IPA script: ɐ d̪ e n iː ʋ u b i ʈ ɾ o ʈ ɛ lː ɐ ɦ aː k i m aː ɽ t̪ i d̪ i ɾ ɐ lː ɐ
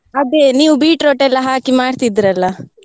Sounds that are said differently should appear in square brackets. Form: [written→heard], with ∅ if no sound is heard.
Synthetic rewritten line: ɐ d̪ e n iː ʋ u b [i→iː] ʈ ɾ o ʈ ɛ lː ɐ ɦ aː k i m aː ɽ t̪ i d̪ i ɾ ɐ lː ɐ